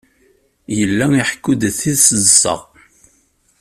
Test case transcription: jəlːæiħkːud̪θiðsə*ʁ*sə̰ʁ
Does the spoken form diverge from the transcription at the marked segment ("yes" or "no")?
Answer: yes